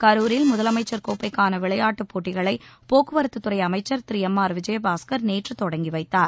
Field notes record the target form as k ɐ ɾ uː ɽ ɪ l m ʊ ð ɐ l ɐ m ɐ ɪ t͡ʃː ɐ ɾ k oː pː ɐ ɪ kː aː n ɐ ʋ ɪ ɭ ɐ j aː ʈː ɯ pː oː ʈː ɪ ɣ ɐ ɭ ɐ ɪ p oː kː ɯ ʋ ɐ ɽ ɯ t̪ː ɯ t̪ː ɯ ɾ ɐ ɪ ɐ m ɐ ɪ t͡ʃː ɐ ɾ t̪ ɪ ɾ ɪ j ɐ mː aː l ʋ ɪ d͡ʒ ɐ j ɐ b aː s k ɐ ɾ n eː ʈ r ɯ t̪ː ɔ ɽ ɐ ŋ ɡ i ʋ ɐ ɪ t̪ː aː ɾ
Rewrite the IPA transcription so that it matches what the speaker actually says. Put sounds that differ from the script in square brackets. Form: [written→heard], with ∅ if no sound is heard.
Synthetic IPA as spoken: k ɐ ɾ uː [ɽ→ɾ] ɪ l m ʊ ð ɐ l ɐ m ɐ ɪ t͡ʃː ɐ ɾ k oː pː ɐ ɪ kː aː n ɐ ʋ ɪ ɭ ɐ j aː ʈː ɯ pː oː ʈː ɪ ɣ ɐ ɭ ɐ ɪ p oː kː ɯ ʋ ɐ [ɽ→ɾ] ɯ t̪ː ɯ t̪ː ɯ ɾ ɐ ɪ ɐ m ɐ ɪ t͡ʃː ɐ ɾ t̪ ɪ ɾ ɪ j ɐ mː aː [l→ɾ] ʋ ɪ d͡ʒ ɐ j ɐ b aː s k ɐ ɾ n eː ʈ r ɯ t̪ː ɔ ɽ ɐ ŋ ɡ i ʋ ɐ ɪ t̪ː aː ɾ